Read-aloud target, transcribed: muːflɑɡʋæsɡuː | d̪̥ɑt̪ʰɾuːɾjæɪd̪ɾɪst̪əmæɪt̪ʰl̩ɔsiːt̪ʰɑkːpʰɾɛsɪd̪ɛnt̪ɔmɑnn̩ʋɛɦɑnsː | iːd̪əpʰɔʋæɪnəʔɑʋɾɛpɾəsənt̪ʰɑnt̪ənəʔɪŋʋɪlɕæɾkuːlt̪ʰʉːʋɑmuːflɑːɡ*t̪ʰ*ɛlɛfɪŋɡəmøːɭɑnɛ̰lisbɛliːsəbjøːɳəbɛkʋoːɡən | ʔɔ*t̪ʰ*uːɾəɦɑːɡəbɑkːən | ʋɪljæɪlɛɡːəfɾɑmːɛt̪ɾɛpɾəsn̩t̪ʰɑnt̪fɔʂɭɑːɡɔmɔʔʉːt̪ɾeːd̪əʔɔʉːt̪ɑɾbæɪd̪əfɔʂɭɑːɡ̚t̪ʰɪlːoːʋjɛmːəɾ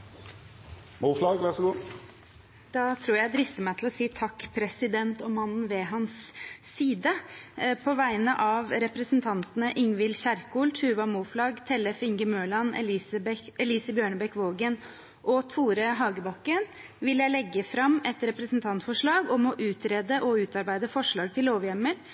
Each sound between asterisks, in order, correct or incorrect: correct, correct

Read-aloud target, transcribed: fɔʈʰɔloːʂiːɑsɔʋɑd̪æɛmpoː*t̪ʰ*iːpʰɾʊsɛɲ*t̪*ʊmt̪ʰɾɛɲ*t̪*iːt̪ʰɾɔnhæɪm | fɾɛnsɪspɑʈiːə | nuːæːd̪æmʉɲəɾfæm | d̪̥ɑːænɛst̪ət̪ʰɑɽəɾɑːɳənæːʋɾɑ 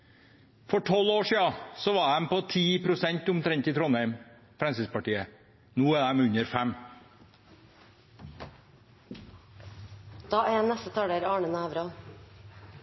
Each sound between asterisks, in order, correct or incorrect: correct, correct, correct

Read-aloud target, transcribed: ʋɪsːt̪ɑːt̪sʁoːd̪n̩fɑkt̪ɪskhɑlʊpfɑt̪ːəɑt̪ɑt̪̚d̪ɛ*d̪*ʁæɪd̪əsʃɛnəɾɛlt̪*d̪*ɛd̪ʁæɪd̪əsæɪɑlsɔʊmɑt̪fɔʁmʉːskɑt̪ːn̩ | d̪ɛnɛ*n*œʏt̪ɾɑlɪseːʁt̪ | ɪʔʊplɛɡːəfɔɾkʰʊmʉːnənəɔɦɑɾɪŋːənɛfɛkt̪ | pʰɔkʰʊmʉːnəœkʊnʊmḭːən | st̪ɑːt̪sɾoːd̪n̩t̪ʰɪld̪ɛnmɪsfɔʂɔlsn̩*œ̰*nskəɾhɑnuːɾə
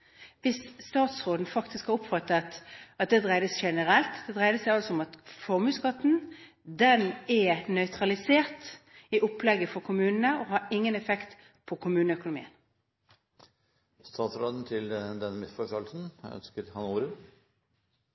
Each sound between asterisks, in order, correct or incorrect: correct, correct, correct, correct

